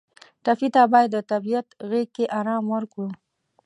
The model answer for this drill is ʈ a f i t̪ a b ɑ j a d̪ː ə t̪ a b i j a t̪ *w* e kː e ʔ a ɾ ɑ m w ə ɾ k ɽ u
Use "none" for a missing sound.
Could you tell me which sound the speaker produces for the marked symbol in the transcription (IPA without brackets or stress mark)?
ɣ